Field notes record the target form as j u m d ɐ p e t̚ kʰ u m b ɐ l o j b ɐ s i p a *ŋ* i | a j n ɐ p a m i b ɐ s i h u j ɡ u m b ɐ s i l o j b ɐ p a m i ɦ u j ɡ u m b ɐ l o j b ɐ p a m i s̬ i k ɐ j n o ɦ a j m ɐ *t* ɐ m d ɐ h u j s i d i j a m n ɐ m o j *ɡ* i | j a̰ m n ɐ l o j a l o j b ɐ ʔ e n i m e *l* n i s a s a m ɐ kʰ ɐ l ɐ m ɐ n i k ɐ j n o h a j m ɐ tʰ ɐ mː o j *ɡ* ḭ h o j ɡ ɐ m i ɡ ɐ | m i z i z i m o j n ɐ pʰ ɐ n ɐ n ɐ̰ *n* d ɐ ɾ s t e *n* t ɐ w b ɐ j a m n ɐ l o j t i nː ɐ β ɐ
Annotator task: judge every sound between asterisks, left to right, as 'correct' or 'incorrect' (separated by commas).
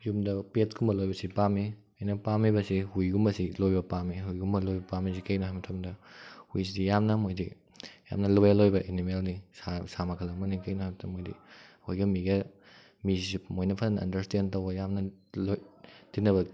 incorrect, incorrect, incorrect, correct, incorrect, correct, correct